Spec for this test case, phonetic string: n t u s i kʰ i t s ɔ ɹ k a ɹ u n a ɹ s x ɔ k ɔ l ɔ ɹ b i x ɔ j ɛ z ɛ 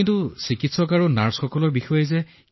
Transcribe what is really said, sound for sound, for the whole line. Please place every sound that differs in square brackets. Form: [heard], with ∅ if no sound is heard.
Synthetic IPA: n t u s i [k] i t s ɔ [∅] k a ɹ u n a ɹ s x ɔ k ɔ l ɔ ɹ b i x ɔ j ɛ z ɛ